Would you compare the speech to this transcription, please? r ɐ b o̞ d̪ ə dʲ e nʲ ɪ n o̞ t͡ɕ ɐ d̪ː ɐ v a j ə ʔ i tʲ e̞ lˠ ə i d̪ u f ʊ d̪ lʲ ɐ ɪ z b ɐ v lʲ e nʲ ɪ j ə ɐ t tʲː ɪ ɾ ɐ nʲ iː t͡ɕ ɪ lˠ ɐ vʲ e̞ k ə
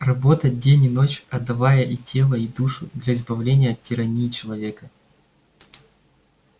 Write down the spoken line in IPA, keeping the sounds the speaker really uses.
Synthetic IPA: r ɐ b o̞ t̪ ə dʲ e nʲ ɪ n o̞ t͡ɕ ɐ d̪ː ɐ v a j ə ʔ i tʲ e̞ lˠ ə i d̪ u ʂ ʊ d̪ lʲ ɐ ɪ z b ɐ v lʲ e nʲ ɪ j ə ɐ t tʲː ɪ ɾ ɐ nʲ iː t͡ɕ ɪ lˠ ɐ vʲ e̞ k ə